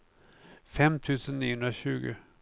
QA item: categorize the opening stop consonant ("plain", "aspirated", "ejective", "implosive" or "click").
aspirated